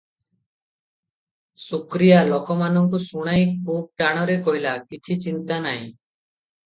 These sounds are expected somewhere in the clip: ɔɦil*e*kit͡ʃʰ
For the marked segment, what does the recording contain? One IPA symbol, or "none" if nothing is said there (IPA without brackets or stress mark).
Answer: a